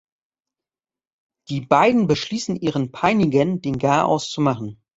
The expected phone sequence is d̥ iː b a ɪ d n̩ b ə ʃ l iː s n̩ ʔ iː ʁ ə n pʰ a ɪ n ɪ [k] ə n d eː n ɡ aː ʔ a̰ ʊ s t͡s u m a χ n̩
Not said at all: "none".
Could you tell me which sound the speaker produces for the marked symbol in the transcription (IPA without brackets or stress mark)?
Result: ɡ